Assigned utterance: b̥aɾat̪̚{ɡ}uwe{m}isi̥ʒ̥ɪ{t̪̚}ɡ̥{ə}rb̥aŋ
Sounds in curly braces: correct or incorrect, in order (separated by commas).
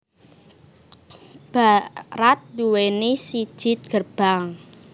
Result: incorrect, incorrect, correct, correct